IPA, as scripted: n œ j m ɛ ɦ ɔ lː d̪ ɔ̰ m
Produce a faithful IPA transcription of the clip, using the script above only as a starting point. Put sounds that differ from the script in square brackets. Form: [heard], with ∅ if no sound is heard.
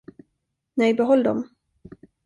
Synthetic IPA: n [ɛ] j [b] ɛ ɦ ɔ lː d̪ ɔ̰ m